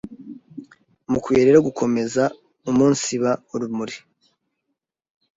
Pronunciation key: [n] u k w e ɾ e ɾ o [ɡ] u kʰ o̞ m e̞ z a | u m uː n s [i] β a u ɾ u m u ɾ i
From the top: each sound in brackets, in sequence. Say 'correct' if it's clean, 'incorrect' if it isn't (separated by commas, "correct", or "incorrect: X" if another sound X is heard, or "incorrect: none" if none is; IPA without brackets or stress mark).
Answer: incorrect: m, correct, correct